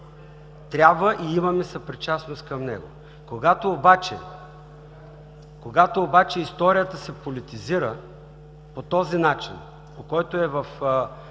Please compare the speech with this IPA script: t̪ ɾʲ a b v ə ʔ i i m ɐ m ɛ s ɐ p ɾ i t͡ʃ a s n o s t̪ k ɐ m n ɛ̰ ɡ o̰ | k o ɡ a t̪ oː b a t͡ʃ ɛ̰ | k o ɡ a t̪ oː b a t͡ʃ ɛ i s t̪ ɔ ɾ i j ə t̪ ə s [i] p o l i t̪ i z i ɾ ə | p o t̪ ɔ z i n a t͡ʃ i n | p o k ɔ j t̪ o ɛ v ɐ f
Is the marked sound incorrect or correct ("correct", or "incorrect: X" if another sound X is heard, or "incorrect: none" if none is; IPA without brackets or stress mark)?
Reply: incorrect: ɛ